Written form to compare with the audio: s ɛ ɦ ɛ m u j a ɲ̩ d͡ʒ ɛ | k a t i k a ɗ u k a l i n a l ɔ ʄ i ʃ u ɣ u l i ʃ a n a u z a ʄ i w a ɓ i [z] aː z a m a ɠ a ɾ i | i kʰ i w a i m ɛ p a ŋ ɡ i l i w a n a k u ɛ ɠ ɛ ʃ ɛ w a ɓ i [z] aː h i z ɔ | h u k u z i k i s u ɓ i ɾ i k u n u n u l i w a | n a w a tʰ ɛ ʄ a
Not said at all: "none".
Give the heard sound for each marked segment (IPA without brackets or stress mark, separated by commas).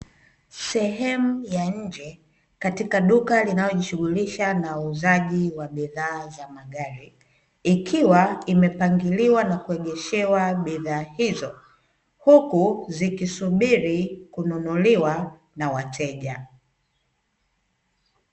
ð, ð